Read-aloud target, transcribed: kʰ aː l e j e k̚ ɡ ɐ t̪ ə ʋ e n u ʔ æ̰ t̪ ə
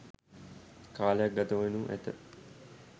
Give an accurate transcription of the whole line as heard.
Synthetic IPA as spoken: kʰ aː l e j a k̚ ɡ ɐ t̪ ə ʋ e n u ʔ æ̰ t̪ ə